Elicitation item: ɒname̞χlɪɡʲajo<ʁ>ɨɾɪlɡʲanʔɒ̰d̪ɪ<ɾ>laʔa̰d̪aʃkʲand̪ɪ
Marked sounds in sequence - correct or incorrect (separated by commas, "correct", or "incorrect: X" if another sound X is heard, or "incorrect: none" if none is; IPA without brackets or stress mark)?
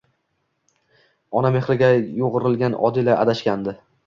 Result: correct, incorrect: none